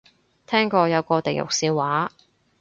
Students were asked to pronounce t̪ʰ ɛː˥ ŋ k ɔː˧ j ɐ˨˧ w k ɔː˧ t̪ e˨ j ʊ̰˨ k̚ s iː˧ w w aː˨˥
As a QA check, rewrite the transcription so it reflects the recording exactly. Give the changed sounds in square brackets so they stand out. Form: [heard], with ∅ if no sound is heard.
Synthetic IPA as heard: t̪ʰ ɛː˥ ŋ k ɔː˧ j ɐ˨˧ w k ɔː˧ t̪ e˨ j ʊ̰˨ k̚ s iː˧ w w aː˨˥